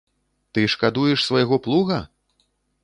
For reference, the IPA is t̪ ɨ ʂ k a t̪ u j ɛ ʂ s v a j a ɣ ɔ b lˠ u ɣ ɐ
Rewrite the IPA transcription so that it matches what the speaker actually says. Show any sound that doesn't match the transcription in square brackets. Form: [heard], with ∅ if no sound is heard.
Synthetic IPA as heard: t̪ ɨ ʂ k a [d̪] u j ɛ ʂ s v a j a ɣ ɔ [p] lˠ u ɣ ɐ